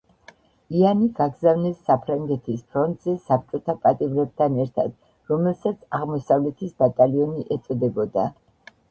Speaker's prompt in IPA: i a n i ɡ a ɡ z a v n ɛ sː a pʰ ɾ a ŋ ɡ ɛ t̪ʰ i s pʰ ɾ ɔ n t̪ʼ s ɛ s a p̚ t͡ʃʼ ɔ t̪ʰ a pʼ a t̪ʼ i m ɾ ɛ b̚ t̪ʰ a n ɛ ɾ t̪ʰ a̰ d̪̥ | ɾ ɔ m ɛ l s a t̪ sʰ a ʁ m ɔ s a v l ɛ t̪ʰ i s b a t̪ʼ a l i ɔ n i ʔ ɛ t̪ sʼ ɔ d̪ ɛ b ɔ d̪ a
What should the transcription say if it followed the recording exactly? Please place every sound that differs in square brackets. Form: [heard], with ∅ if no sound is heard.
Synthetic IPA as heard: i a n i ɡ a ɡ z a v n ɛ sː a pʰ ɾ a ŋ ɡ ɛ t̪ʰ i s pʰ ɾ ɔ n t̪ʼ [z] ɛ s a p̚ t͡ʃʼ ɔ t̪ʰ a pʼ a t̪ʼ i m ɾ ɛ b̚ t̪ʰ a n ɛ ɾ t̪ʰ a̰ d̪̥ | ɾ ɔ m ɛ l s a t̪ sʰ a ʁ m ɔ s a v l ɛ t̪ʰ i s b a t̪ʼ a l i ɔ n i ʔ ɛ t̪ sʼ ɔ d̪ ɛ b ɔ d̪ a